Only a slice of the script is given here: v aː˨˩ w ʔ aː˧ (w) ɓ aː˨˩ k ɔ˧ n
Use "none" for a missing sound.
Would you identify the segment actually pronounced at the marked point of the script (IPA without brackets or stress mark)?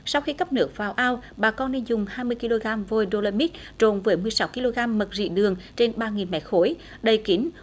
w